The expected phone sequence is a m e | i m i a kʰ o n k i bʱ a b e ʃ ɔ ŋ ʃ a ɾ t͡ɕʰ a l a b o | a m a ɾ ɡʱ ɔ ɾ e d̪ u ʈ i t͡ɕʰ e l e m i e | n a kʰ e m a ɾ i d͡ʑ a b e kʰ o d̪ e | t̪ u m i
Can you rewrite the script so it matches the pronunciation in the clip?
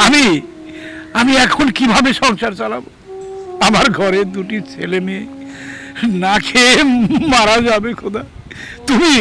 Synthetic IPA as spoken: a m i | a m i ɛ kʰ o n k i bʱ a b e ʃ ɔ ŋ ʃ a ɾ t͡ɕ a l a b o | a m a ɾ ɡʱ ɔ ɾ e d̪ u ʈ i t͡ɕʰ e l e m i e | n a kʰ e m a ɾ a d͡ʑ a b e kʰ o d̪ a | t̪ u m i